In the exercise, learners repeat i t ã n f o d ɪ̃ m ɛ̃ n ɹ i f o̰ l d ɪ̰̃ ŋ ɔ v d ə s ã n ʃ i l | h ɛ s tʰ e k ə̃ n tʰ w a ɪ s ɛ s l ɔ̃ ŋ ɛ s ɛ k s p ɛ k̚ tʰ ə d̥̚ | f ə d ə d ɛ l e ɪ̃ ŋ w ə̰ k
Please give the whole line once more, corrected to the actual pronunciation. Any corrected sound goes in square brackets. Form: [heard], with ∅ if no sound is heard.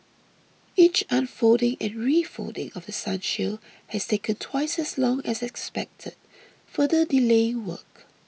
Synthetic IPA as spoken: i [t͡ʃ] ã n f o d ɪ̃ [ŋ] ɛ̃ n ɹ i f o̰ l d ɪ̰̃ ŋ ɔ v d ə s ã n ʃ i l | h ɛ s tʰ e k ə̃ n tʰ w a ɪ s ɛ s l ɔ̃ ŋ ɛ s ɛ k s p ɛ k̚ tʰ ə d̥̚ | f ə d ə d [i] l e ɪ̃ ŋ w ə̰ k